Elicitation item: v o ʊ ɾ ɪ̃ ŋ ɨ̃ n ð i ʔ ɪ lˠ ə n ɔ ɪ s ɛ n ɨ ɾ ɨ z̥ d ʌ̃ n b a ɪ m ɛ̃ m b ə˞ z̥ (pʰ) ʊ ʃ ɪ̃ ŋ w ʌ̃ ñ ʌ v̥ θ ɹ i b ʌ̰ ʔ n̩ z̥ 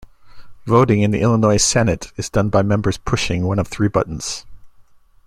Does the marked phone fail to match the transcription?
no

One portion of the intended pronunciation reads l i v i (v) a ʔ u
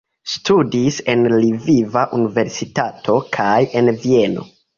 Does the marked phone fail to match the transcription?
no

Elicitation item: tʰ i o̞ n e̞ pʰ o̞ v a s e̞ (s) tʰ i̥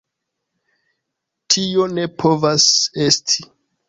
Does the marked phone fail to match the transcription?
no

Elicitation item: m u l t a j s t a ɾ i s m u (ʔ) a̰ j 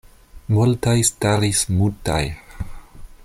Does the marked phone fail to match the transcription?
yes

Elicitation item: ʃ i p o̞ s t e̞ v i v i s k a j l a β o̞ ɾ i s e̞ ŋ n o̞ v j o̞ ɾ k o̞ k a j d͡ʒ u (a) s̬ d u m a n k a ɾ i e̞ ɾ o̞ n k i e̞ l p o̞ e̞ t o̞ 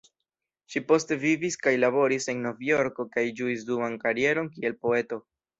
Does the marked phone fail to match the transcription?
yes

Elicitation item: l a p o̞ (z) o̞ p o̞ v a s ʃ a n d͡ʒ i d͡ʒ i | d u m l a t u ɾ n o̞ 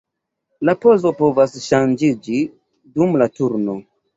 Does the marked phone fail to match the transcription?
no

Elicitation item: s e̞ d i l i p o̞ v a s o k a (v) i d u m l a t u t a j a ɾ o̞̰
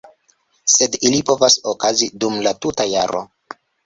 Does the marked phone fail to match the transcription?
yes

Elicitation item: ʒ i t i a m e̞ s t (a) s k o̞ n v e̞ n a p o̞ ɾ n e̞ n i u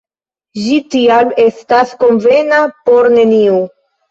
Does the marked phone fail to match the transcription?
no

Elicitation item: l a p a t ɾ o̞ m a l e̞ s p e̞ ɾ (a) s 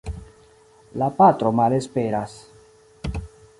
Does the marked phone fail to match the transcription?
no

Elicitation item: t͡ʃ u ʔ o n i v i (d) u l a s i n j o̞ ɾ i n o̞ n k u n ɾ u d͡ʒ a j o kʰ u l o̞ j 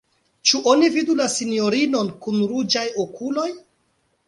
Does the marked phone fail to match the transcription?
no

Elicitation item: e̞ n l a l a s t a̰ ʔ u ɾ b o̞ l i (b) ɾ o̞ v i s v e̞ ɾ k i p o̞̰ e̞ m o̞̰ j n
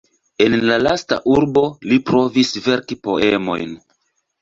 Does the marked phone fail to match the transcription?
yes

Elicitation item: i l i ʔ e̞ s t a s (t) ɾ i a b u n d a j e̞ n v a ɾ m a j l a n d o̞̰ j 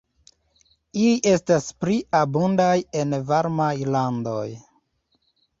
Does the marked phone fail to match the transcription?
yes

